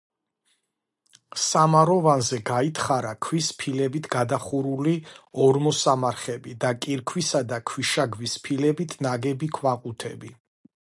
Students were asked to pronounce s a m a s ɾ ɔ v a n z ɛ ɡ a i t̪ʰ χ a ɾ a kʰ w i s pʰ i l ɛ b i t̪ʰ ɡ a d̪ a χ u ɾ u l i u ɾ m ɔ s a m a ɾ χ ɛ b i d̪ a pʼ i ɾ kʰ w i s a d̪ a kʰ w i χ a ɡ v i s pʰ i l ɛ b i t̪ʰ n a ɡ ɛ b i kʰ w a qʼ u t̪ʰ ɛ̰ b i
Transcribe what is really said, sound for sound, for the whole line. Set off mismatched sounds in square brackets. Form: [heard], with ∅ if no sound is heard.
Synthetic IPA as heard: s a m a [∅] ɾ ɔ v a n z ɛ ɡ a i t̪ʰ χ a ɾ a kʰ w i s pʰ i l ɛ b i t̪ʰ ɡ a d̪ a χ u ɾ u l i [ɔ] ɾ m ɔ s a m a ɾ χ ɛ b i d̪ a [kʼ] i ɾ kʰ w i s a d̪ a kʰ w i [ʃ] a ɡ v i s pʰ i l ɛ b i t̪ʰ n a ɡ ɛ b i kʰ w a qʼ u t̪ʰ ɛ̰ b i